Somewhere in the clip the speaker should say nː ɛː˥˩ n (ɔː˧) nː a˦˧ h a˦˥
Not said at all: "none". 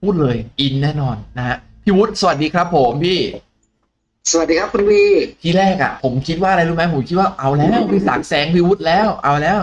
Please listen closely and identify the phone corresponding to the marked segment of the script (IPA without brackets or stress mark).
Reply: ɔː˧